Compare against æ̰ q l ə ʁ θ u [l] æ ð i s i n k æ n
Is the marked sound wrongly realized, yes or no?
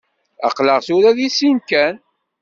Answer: yes